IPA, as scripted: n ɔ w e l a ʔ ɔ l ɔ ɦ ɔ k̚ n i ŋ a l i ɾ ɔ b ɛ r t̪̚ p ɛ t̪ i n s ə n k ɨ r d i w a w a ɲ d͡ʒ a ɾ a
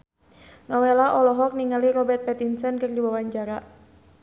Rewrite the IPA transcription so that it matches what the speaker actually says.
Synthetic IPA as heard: n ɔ w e l a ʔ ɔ l ɔ ɦ ɔ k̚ n i ŋ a l i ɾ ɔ b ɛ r t̪̚ p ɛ t̪ i n s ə n k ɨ r d i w a w a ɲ d͡ʒ a ɾ a